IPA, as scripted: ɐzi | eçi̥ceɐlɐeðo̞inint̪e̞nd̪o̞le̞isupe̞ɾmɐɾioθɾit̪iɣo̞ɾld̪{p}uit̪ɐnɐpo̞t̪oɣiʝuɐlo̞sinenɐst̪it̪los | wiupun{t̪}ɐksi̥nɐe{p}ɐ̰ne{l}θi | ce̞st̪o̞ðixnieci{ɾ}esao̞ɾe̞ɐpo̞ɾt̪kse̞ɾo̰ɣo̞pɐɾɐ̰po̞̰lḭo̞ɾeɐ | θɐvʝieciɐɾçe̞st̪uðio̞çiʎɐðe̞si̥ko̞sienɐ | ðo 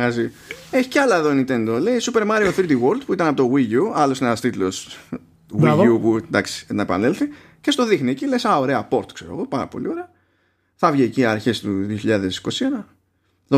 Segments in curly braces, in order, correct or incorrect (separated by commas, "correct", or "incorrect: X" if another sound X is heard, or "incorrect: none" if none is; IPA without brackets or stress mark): correct, incorrect: d̪, correct, correct, incorrect: l